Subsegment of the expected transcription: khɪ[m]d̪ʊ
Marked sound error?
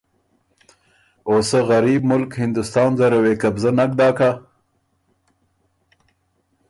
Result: yes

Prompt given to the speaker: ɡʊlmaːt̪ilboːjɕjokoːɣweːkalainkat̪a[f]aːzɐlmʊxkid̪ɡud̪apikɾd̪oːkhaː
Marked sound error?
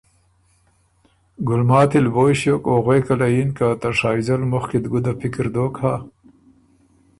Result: yes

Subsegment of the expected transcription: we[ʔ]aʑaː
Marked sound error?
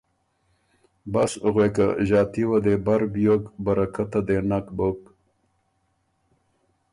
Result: yes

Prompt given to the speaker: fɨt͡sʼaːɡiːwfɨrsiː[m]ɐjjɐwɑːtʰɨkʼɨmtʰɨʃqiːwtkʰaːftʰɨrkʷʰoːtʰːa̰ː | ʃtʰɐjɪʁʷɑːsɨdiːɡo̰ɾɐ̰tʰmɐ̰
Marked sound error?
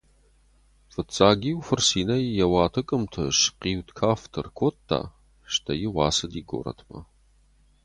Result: yes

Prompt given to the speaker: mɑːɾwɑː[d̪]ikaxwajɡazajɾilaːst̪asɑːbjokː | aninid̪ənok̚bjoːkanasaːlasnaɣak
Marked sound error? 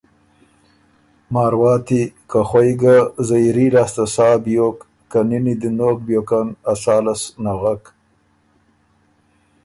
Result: yes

